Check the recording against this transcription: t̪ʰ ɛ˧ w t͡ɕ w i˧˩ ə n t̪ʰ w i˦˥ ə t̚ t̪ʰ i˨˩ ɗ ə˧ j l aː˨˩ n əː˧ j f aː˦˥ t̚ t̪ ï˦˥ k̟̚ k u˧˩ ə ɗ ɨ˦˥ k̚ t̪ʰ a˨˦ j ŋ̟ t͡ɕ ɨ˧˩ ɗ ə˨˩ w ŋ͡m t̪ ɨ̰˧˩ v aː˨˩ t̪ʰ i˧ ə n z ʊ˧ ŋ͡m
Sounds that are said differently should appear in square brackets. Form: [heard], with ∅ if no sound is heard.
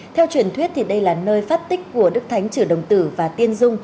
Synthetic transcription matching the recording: t̪ʰ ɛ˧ w t͡ɕ w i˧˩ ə n t̪ʰ w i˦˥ ə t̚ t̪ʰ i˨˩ ɗ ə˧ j l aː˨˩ n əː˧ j f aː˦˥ t̚ t̪ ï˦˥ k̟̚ k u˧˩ ə ɗ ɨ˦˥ k̚ t̪ʰ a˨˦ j ŋ̟ t͡ɕ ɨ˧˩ ɗ ə˨˩ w ŋ͡m t̪ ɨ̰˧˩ v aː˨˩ [t̪] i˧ ə n z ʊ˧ ŋ͡m